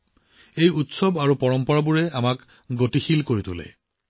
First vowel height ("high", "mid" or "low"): mid